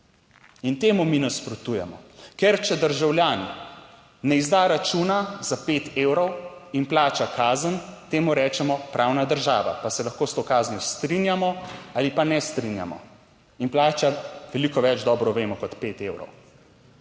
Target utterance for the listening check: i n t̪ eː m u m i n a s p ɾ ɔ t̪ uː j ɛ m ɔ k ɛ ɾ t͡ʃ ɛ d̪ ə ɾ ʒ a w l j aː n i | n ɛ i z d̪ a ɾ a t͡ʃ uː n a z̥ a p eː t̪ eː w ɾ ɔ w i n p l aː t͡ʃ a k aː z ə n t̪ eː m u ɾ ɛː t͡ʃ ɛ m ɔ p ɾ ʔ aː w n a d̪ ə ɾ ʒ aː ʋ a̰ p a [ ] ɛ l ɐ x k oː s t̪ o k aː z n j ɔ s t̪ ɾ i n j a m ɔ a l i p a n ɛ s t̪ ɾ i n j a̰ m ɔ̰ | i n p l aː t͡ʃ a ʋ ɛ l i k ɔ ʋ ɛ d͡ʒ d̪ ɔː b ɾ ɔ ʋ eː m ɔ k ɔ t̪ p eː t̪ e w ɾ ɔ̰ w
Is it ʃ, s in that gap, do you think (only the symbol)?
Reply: s